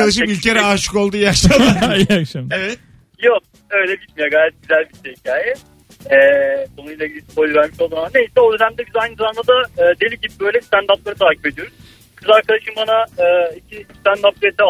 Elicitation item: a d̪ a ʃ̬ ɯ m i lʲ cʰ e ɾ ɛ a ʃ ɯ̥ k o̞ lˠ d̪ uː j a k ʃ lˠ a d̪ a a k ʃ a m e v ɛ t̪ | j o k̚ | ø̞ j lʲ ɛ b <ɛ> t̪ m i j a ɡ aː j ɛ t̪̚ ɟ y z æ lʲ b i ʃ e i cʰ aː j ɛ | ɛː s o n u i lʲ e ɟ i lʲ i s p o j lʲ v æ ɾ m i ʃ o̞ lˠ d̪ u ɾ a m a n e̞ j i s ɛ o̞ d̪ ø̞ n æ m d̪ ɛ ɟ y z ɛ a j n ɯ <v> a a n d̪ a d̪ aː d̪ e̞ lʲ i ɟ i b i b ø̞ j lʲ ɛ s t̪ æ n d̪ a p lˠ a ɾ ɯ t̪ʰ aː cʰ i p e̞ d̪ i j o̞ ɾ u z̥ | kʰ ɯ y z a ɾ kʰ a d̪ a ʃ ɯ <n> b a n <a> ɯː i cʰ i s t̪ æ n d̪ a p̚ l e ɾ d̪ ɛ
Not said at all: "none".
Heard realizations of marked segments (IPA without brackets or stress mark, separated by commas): i, z, m, a